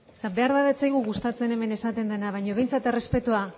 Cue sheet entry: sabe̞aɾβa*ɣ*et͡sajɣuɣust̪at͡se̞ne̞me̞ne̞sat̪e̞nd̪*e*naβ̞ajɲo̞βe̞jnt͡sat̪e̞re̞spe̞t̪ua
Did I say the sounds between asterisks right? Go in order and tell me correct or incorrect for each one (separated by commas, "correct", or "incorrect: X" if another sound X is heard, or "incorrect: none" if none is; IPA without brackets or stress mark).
incorrect: ð, correct